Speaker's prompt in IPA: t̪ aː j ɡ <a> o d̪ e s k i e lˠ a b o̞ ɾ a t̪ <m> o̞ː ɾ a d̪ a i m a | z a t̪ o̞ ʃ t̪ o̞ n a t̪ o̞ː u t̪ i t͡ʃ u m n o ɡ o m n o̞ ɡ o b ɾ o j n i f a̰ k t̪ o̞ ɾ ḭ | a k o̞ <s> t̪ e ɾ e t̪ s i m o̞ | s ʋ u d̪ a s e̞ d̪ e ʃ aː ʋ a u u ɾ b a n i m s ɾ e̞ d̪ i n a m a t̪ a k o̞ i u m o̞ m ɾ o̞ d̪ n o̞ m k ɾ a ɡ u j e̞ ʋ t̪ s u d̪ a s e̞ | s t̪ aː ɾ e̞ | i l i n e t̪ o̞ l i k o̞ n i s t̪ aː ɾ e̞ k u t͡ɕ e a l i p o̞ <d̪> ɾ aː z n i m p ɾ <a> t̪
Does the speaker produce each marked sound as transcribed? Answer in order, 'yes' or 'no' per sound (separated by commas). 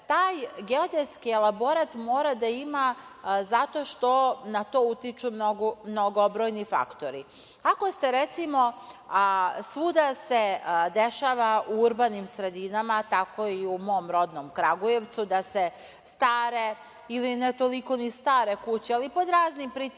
no, yes, yes, yes, no